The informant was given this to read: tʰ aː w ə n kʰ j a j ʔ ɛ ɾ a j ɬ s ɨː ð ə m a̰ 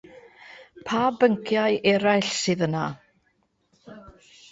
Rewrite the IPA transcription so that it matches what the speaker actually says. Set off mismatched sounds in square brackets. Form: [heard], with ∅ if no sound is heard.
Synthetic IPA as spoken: [pʰ] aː [b] ə [ŋ] kʰ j a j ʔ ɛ ɾ a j ɬ s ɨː ð ə [n] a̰